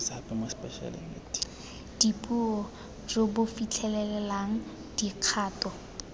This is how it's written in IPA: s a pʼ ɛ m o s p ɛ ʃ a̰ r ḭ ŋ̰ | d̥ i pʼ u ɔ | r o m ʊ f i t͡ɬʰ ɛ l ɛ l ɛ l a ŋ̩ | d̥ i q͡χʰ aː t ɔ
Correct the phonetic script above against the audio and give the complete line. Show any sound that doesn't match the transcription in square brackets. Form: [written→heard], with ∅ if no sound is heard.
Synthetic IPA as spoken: s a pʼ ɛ m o s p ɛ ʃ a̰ [r→l] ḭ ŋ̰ | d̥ i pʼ u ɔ | r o [m→b] ʊ f i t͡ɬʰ ɛ l ɛ l ɛ l a ŋ̩ | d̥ i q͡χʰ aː t ɔ